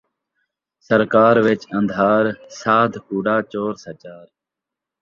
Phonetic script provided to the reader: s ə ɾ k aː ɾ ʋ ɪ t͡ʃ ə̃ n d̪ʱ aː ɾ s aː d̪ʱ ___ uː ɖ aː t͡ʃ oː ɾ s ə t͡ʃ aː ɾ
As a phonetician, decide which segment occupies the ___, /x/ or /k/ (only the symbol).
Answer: k